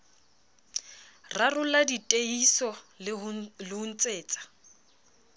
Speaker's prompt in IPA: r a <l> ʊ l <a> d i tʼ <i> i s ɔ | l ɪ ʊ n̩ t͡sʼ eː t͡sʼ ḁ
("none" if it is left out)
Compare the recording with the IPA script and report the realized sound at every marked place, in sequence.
r, a, e

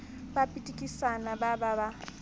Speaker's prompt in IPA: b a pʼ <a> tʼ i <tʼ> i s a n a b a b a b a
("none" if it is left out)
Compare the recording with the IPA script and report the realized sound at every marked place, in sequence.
i, kʼ

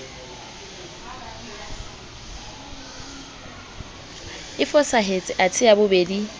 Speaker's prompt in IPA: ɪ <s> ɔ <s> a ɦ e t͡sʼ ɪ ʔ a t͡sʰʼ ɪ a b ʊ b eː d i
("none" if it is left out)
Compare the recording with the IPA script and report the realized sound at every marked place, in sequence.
f, s

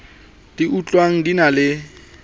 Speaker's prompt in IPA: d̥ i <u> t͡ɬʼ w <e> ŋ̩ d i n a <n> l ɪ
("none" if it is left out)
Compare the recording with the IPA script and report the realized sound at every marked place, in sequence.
u, a, none

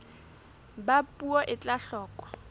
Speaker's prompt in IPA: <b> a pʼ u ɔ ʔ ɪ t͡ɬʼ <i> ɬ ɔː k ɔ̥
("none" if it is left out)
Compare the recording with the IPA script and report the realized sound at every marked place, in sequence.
b, a

